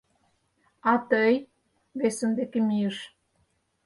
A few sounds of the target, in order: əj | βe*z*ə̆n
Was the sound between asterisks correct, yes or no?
no